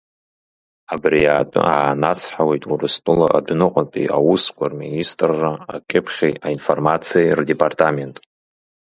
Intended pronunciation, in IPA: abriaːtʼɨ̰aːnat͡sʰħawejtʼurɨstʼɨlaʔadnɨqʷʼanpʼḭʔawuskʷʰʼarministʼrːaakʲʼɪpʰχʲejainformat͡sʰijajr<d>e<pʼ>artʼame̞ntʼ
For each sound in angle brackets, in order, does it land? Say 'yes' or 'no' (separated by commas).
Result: yes, yes